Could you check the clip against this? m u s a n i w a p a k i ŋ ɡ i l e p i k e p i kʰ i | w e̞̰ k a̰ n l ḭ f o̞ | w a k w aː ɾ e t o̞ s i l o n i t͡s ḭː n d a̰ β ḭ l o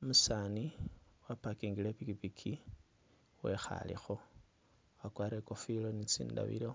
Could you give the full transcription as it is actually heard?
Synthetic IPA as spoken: m u s a n i w a p a k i ŋ ɡ i l e p i k i p i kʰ i | w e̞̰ x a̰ l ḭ x o̞ | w a k w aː ɾ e k o̞ f i l o n i t͡s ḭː n d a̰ β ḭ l o

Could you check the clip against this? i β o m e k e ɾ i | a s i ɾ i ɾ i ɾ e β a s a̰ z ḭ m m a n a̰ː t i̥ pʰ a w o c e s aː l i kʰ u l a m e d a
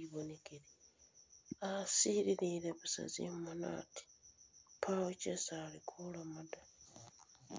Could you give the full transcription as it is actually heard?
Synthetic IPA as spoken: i β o n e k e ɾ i | a s i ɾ i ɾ i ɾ e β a s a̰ z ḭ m m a n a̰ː t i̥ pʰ a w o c e s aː l i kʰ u l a m a d a

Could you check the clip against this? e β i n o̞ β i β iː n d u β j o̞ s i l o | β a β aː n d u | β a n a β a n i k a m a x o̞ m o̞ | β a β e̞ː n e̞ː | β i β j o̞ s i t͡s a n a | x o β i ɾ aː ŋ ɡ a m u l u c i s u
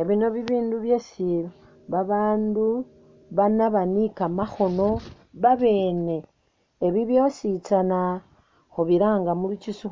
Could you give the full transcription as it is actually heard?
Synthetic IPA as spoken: e β i n o̞ β i β iː n d u β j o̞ s i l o | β a β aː n d u | β a n a β a n i k a m a x o̞ n o̞ | β a β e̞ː n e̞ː | β i β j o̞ s i t͡s a n a | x o β i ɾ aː ŋ ɡ a m u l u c i s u

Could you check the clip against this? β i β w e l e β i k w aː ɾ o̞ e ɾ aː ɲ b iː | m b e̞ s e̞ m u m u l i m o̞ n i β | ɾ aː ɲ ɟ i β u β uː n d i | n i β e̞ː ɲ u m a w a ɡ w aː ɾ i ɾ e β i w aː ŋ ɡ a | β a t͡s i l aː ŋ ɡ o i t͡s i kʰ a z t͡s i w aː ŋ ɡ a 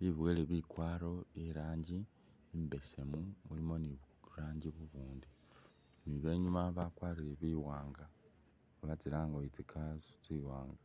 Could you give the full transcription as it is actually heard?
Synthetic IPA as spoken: β i β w e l e β i k w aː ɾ o̞ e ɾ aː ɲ ɟ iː | m b e̞ s e̞ m u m u l i m o̞ n i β | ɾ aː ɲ ɟ i β u β uː n d i | n i β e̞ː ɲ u m a β a k w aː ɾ i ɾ e β i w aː ŋ ɡ a | β a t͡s i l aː ŋ ɡ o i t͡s i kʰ a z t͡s i w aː ŋ ɡ a

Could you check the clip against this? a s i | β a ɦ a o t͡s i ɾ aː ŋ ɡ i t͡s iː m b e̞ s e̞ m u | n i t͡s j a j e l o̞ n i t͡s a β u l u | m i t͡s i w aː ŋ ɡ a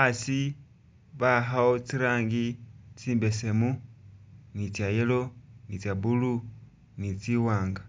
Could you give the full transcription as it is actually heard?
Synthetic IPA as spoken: a s i | β a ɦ a o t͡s i ɾ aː ŋ ɡ i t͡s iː m b e̞ s e̞ m u | n i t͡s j a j e l o̞ n i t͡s a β u l u | n i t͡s i w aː ŋ ɡ a

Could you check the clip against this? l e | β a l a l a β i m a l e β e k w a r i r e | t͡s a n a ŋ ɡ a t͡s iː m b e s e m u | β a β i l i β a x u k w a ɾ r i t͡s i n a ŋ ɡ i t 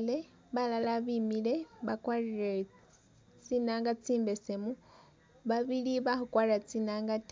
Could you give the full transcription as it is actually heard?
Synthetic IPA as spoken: l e | β a l a l a β i m i l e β a k w a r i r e | t͡s i n a ŋ ɡ a t͡s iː m b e s e m u | β a β i l i β a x u k w a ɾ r a t͡s i n a ŋ ɡ a t

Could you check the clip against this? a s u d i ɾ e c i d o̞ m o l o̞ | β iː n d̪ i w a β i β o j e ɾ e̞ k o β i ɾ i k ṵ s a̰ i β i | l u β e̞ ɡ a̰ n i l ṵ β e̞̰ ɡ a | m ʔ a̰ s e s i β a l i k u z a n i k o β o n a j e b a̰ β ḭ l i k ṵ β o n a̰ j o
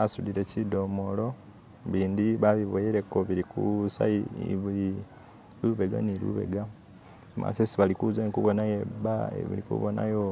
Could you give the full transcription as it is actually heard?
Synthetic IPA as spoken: a s u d i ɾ e c i d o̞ m o l o̞ | β iː n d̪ i β a β i β o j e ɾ e̞ k o β i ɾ i k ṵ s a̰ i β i | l u β e̞ ɡ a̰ n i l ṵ β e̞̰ ɡ a | m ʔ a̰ s e s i β a l i k u z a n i k u β o n a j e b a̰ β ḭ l i k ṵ β o n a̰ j o

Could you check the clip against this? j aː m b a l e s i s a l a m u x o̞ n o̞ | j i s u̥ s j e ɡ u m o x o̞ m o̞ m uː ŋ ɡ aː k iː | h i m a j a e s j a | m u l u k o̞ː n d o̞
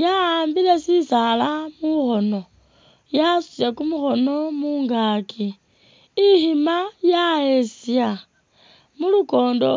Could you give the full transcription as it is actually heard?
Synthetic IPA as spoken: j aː m b i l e s i s a l a m u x o̞ n o̞ | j a s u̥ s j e k u m u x o̞ n o̞ m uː ŋ ɡ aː k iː | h i m a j a e s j a | m u l u k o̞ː n d o̞

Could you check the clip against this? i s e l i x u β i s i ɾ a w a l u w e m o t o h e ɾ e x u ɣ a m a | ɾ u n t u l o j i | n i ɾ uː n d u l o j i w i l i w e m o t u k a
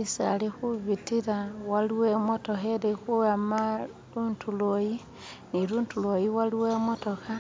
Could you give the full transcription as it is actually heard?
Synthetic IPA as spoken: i s a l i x u β i t i ɾ a w a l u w e m o t o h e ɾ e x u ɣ a m a | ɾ u n t u l o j i | n i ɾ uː n t u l o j i w a l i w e m o t o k a

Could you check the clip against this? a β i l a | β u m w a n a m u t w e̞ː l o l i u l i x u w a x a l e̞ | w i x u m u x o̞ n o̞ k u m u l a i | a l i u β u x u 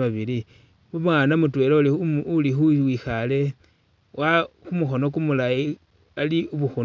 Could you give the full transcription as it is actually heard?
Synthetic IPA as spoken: a β i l i | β u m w a n a m u t w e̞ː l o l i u l i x u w i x a l e̞ | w a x u m u x o̞ n o̞ k u m u l a i | a l i u β u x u

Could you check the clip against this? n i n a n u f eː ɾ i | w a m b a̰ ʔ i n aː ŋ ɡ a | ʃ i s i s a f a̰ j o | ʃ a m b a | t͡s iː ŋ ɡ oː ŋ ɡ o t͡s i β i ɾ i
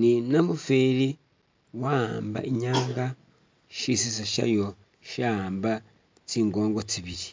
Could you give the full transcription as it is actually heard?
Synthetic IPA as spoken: n i n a m u f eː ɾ i | w a m b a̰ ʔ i ɲ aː ŋ ɡ a | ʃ i s i s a ʃ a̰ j o | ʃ a m b a | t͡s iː ŋ ɡ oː ŋ ɡ o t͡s i β i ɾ i

